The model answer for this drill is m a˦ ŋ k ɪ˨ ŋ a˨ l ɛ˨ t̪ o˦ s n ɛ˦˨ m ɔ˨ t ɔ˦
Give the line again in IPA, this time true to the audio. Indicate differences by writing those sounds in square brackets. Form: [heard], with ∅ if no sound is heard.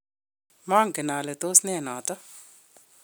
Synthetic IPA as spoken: m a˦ ŋ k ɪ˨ [n] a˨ l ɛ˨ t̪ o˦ s n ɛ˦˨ [n] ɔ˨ t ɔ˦

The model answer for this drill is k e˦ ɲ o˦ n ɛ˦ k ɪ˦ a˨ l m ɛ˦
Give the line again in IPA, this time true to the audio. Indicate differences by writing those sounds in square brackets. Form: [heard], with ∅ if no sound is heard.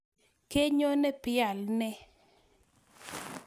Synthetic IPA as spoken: k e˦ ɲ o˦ n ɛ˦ [p] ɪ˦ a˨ l [n] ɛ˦

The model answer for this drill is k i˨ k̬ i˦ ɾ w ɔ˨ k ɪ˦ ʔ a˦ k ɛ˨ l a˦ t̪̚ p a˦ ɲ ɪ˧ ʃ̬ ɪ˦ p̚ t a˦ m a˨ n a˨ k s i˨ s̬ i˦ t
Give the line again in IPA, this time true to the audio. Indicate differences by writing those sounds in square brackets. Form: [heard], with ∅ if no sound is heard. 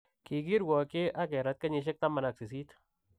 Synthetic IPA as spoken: k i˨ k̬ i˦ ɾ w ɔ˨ k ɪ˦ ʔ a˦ k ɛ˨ [ɾ] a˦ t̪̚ [k] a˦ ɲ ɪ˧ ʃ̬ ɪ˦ [k̚] t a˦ m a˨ n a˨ k s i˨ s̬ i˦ t

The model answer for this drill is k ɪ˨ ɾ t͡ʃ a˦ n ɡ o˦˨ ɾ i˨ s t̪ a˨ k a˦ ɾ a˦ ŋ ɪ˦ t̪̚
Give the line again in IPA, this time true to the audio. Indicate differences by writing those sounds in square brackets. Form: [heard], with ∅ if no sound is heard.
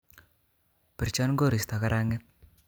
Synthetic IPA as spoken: [p] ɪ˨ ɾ t͡ʃ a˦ n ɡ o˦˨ ɾ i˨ s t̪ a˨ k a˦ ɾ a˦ ŋ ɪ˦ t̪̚

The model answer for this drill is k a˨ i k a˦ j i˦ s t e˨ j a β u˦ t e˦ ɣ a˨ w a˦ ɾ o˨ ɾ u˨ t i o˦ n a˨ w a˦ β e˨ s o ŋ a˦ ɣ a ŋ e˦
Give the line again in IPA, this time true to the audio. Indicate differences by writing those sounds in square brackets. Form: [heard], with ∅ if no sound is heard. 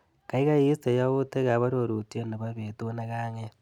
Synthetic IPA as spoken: k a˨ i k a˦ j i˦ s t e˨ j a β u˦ t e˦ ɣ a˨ [β] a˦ ɾ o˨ ɾ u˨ t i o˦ n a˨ [β] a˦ β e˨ [t] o [n] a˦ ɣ a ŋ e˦

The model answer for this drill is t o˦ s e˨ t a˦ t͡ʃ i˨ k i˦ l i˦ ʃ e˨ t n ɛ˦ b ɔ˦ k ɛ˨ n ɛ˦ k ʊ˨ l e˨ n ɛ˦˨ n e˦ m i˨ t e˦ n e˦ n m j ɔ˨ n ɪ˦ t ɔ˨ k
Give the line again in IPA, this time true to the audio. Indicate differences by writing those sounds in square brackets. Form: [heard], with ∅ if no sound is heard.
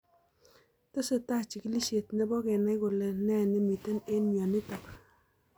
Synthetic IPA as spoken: t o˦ s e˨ t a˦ t͡ʃ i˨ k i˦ l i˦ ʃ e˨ t n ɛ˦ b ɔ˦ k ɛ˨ n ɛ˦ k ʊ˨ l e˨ n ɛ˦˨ n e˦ m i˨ t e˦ n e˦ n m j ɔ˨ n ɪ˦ t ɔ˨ k

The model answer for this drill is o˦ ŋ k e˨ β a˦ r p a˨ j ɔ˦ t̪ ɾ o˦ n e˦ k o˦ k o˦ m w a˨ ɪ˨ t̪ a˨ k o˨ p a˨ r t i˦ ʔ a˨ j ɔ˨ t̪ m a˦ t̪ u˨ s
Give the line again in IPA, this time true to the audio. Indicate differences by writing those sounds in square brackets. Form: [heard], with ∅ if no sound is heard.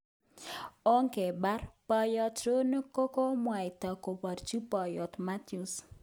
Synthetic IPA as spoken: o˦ ŋ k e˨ [b] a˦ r p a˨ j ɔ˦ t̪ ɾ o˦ n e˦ k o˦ k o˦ m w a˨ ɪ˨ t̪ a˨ k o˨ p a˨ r [t͡ʃ] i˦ [p] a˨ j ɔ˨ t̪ m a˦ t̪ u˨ s

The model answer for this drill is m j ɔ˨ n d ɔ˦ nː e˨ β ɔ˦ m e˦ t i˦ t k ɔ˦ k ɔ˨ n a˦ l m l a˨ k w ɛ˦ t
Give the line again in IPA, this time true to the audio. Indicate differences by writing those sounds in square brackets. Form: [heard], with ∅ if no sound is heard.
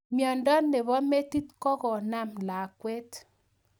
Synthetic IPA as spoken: m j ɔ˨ n d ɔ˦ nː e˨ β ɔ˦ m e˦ t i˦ t k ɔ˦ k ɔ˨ n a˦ [∅] m l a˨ k w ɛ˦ t

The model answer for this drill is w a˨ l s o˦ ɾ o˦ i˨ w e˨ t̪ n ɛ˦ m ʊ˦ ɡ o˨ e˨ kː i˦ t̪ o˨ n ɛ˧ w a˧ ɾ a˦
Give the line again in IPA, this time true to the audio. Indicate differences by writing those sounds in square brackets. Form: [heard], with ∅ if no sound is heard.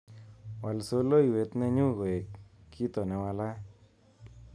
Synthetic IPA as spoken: w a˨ l s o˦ [l] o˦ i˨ w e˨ t̪ n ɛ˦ [ɲ] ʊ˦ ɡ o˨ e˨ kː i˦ t̪ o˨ n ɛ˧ w a˧ [l] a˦

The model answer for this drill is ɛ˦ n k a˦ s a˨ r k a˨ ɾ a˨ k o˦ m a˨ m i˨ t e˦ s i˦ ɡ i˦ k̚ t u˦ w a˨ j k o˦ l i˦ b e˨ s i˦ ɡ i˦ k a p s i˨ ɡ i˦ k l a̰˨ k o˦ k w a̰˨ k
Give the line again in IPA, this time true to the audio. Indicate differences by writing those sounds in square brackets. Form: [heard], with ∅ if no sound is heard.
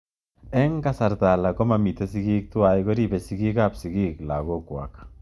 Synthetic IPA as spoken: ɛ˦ [ŋ] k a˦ s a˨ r [t] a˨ [l] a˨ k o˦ m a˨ m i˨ t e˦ s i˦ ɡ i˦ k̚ t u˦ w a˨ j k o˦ [ɾ] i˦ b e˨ s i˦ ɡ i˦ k a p s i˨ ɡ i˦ k l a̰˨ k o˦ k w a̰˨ k

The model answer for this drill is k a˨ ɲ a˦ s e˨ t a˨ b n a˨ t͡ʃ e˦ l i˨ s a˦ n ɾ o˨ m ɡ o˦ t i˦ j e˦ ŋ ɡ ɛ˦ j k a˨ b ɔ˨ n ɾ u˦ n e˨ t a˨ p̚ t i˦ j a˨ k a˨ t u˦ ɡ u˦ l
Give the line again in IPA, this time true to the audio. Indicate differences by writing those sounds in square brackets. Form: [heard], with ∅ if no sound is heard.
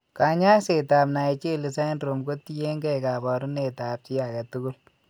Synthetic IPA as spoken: k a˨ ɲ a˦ s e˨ t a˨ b n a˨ t͡ʃ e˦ l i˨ s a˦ n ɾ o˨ m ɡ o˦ t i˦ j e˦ ŋ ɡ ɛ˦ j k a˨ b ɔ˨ [∅] ɾ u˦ n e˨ t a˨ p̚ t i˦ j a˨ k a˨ t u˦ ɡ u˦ l

